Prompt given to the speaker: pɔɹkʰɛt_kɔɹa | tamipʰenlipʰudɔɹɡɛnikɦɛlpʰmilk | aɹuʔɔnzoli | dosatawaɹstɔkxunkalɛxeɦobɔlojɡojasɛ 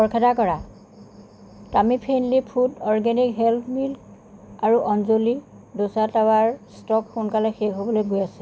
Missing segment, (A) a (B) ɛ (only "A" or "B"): A